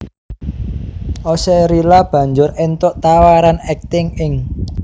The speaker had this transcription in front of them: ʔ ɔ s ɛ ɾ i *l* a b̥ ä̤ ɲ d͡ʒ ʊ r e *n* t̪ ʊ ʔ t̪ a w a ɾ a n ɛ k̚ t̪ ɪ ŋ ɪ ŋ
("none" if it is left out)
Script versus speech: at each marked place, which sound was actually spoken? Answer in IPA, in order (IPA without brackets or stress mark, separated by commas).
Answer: l, n